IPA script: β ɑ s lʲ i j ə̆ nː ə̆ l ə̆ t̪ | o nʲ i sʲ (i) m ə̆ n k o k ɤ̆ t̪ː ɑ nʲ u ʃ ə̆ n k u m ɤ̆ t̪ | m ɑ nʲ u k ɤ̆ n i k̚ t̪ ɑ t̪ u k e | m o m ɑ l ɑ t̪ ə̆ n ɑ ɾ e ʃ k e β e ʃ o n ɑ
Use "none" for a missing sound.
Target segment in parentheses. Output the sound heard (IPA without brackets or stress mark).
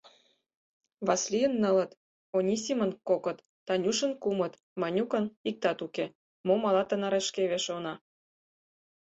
i